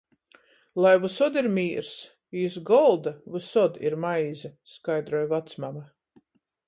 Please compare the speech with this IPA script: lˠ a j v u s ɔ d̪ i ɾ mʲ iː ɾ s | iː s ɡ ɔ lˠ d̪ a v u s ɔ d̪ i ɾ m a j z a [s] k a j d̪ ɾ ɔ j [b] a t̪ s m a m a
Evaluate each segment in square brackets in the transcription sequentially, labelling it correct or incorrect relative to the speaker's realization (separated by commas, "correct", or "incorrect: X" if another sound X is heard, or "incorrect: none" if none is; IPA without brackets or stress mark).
correct, incorrect: v